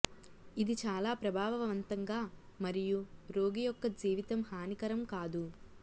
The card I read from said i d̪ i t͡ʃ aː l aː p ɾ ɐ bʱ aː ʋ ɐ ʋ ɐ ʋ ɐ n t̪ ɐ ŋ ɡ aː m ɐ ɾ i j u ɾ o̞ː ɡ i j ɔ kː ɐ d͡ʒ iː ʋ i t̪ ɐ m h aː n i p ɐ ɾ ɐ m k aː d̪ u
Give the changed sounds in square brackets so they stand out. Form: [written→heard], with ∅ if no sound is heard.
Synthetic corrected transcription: i d̪ i t͡ʃ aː l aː p ɾ ɐ bʱ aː ʋ ɐ ʋ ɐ ʋ ɐ n t̪ ɐ ŋ ɡ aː m ɐ ɾ i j u ɾ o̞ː ɡ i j ɔ kː ɐ d͡ʒ iː ʋ i t̪ ɐ m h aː n i [p→k] ɐ ɾ ɐ m k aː d̪ u

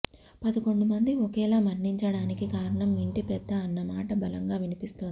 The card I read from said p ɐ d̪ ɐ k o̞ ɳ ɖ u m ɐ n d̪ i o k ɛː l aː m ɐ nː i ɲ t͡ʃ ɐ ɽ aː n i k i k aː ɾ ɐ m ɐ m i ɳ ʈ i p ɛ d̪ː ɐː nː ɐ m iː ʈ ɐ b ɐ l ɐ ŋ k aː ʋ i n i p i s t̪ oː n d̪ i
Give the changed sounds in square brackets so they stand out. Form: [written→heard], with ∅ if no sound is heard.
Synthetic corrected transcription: p ɐ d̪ ɐ k o̞ ɳ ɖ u m ɐ n d̪ i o k ɛː l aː m ɐ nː i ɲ t͡ʃ ɐ ɽ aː n i k i k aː ɾ ɐ [m→ɳ] ɐ m i ɳ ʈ i p ɛ d̪ː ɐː nː ɐ m [iː→aː] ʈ ɐ b ɐ l ɐ ŋ [k→ɡ] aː ʋ i n i p i s t̪ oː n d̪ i

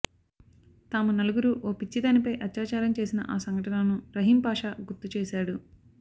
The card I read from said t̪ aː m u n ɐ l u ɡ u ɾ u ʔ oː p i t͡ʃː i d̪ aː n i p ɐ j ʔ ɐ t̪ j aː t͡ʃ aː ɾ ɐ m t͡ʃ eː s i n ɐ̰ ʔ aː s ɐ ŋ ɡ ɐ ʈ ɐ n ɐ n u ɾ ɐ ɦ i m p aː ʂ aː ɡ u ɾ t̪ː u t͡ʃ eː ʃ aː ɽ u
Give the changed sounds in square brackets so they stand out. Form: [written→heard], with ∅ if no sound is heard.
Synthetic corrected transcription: t̪ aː m u n ɐ l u ɡ u ɾ u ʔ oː p i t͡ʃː i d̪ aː n i p ɐ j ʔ ɐ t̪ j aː t͡ʃ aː ɾ ɐ m t͡ʃ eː s i n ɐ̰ ʔ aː s ɐ ŋ ɡ ɐ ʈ ɐ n ɐ n u ɾ ɐ ɦ i m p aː ʂ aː ɡ u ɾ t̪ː u t͡ʃ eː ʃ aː ɽ u

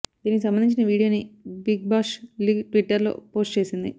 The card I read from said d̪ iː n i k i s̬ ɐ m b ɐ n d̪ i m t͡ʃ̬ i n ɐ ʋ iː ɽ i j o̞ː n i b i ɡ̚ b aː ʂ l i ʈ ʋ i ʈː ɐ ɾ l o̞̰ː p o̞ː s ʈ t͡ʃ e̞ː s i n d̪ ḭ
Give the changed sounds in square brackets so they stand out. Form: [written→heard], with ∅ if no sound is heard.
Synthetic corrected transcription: d̪ iː n i k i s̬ ɐ m b ɐ n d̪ i [m→ɲ] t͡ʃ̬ i n ɐ ʋ iː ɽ i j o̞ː n i b i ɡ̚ b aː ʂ l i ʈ ʋ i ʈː ɐ ɾ l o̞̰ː p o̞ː s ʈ t͡ʃ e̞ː s i n d̪ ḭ

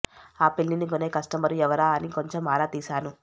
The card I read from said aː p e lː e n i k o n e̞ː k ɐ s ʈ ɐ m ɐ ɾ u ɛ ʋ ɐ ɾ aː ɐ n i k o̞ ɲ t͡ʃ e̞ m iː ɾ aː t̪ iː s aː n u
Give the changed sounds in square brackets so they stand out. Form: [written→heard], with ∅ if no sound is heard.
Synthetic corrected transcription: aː p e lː [e→i] n i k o n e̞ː k ɐ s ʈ ɐ m ɐ ɾ u ɛ ʋ ɐ ɾ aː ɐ n i k o̞ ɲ t͡ʃ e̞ m [iː→aː] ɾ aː t̪ iː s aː n u

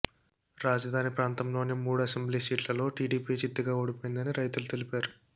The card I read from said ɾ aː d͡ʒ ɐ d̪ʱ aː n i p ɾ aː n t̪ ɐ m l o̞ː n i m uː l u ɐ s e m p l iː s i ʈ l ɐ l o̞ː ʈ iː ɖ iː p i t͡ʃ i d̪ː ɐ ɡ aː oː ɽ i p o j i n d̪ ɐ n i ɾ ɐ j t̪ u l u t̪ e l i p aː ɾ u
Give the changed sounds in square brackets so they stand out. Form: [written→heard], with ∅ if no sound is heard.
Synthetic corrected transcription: ɾ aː d͡ʒ ɐ d̪ʱ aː n i p ɾ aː n t̪ ɐ m l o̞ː n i m uː [l→ɽ] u ɐ s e m [p→b] l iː s [i→iː] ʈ l ɐ l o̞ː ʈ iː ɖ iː p i t͡ʃ i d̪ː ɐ ɡ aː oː ɽ i p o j i n d̪ ɐ n i ɾ ɐ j t̪ u l u t̪ e l i p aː ɾ u

